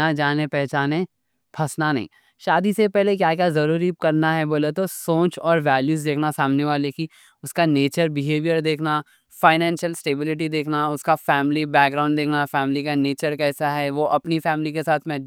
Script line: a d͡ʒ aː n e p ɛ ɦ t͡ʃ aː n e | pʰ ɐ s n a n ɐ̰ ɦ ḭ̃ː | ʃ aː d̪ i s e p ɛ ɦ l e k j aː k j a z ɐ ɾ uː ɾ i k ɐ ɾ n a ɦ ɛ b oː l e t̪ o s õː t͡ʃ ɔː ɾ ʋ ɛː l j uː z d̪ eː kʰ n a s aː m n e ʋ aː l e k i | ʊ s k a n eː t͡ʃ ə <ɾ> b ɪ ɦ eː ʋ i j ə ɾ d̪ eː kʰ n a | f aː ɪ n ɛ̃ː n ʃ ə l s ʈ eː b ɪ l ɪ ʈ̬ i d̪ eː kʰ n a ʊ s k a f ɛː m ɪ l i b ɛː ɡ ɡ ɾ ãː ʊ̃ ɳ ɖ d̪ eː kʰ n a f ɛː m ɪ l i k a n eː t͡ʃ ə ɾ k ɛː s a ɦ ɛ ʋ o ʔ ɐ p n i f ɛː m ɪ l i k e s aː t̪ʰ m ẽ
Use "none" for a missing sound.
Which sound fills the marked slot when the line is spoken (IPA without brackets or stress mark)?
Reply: ɾ